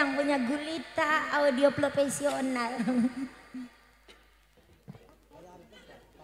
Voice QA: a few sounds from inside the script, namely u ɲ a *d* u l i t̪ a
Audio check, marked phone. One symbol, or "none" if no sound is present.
ɡ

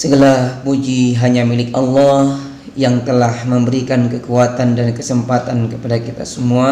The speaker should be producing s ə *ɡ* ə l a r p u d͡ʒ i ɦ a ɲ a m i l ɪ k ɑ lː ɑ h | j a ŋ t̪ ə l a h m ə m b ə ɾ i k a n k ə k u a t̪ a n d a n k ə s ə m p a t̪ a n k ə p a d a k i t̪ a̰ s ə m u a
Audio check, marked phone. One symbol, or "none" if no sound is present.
ɡ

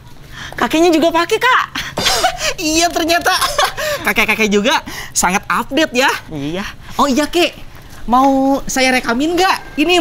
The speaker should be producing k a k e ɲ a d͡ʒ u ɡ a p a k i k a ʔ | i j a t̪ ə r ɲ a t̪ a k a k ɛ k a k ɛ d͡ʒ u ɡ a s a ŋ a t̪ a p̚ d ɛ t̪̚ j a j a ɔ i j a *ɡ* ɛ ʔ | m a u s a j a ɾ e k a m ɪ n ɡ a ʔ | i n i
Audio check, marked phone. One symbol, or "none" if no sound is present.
k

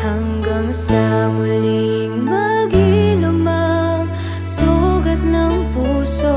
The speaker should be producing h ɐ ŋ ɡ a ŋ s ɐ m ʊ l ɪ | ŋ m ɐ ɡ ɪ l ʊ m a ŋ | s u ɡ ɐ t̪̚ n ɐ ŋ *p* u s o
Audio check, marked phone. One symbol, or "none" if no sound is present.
p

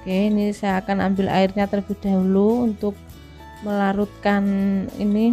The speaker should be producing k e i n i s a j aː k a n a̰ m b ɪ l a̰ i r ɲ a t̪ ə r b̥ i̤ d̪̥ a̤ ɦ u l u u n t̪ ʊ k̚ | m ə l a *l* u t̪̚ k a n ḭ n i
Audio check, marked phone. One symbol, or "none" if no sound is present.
ɾ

